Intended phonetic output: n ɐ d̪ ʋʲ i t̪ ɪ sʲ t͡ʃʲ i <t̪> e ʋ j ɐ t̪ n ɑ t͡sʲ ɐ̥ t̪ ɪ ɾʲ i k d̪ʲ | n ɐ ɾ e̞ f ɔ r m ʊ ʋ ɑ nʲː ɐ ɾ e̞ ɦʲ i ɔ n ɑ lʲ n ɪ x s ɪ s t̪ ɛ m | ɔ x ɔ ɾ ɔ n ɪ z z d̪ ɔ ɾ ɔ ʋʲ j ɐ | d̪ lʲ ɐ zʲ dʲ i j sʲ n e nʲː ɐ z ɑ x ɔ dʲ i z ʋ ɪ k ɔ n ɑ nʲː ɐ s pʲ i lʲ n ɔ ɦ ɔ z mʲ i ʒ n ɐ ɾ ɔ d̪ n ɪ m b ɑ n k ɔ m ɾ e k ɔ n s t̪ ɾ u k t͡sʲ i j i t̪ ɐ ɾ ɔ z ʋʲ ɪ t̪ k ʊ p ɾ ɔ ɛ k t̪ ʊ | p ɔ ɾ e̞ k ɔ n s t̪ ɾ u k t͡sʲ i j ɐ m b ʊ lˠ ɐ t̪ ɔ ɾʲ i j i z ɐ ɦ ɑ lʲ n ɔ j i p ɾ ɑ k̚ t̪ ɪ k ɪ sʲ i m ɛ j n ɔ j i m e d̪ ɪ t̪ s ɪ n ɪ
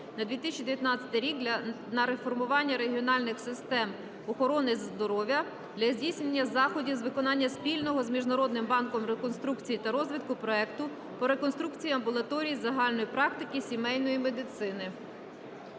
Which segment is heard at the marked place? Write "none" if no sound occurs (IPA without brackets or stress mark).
d̪